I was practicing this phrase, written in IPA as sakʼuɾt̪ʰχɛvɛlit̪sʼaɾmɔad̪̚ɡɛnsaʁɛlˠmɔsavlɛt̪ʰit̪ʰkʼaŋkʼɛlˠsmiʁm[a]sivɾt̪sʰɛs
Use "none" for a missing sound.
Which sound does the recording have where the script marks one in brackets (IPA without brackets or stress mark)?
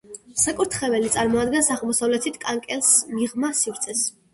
a